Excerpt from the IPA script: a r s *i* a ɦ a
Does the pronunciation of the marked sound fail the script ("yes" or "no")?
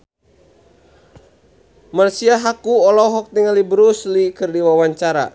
no